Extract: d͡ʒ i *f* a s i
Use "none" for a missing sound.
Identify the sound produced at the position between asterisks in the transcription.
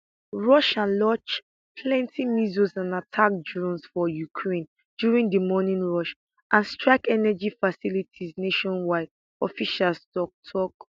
f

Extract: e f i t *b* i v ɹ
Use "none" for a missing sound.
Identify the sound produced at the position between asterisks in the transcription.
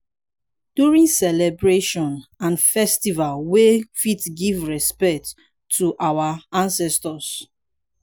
ɡ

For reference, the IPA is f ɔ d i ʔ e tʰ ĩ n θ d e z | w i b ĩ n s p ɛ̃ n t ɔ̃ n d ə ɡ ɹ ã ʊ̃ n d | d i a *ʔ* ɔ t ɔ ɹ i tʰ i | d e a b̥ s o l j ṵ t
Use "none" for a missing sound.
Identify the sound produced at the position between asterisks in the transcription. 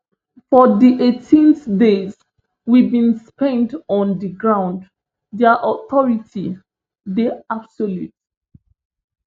ʔ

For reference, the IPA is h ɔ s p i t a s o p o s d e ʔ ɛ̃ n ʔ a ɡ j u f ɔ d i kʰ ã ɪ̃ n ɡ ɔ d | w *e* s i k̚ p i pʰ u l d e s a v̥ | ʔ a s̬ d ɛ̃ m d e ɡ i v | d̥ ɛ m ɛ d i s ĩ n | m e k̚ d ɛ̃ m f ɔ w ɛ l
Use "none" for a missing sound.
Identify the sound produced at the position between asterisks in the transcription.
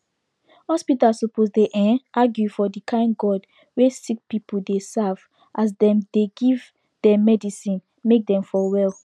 e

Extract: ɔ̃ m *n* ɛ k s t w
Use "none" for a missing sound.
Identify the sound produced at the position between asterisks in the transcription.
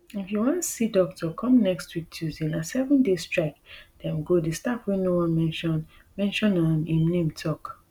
n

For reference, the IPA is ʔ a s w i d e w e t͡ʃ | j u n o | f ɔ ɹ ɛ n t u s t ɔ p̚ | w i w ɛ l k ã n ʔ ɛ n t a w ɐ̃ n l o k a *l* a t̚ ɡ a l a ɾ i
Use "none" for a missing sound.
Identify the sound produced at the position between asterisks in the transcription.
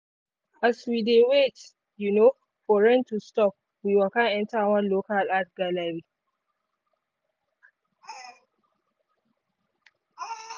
l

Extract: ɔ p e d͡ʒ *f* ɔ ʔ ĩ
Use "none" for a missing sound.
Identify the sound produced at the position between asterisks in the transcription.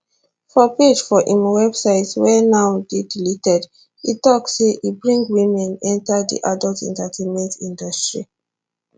f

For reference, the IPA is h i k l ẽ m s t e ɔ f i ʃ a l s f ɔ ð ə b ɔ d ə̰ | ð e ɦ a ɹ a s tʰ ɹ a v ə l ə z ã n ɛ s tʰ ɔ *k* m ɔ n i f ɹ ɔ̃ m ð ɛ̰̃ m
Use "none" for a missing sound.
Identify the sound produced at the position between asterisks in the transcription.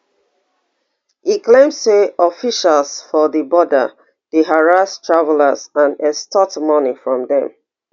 t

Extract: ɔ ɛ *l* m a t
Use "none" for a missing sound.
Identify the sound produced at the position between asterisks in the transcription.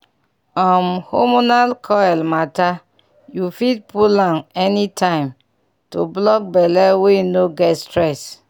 l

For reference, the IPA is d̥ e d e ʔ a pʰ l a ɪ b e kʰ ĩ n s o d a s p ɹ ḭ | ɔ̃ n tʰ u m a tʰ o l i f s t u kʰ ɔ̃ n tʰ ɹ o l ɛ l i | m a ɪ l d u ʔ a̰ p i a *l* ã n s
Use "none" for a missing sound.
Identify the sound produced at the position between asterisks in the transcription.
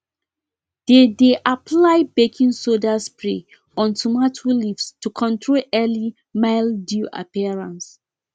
ɹ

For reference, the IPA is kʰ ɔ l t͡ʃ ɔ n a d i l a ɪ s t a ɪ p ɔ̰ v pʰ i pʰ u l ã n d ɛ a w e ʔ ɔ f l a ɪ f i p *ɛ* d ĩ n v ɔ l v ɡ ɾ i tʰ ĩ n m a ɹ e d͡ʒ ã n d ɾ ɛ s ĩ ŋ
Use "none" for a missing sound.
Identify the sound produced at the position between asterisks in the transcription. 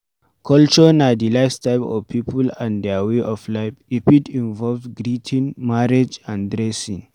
i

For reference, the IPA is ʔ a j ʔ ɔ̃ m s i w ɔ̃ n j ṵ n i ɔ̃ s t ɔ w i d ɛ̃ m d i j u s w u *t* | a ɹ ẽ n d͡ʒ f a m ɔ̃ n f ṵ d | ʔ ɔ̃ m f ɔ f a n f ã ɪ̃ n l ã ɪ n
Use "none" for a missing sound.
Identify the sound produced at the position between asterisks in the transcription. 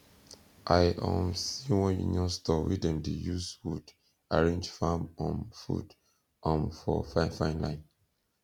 d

